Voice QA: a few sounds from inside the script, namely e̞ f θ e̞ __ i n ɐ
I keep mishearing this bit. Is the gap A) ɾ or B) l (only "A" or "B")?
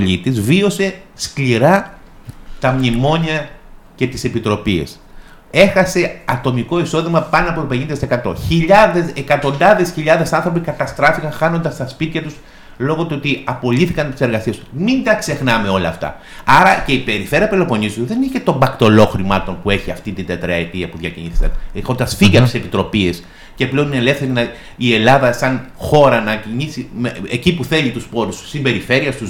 A